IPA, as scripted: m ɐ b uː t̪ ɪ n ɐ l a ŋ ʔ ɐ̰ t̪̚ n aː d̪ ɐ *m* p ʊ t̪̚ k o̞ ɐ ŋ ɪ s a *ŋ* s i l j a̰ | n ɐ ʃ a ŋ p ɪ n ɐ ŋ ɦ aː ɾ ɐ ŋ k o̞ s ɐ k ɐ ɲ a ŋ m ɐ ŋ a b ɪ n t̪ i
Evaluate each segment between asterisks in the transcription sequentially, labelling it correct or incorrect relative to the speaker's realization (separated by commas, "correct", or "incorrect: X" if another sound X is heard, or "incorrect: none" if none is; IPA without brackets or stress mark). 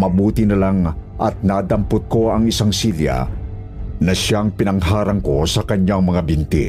correct, correct